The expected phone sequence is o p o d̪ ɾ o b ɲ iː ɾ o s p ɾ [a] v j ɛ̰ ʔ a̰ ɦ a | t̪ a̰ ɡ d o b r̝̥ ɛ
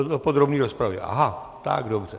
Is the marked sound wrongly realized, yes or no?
no